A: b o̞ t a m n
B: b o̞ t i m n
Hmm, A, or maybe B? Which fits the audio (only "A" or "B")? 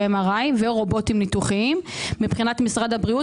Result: B